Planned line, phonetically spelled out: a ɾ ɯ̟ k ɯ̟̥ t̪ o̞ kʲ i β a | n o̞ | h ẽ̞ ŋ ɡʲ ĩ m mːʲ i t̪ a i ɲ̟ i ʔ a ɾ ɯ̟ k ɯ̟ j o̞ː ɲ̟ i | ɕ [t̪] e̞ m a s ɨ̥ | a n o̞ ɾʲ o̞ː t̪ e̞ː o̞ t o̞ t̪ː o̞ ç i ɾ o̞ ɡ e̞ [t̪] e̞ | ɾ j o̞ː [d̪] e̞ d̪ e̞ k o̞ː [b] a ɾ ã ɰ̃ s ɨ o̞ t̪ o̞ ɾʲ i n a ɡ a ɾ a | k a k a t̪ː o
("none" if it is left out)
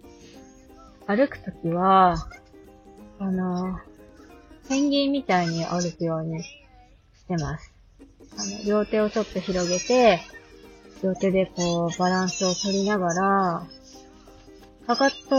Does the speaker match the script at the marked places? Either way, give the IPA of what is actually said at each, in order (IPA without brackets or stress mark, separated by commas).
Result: t̪, t̪, t̪, b